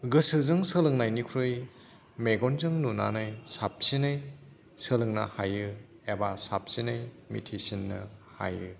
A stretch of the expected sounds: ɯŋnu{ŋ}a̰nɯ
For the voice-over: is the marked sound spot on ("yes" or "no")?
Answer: no